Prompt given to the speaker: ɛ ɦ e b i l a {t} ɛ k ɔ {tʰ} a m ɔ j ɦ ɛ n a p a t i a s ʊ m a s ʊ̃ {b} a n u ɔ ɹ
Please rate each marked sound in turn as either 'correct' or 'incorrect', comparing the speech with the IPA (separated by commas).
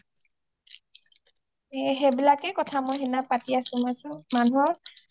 incorrect, correct, incorrect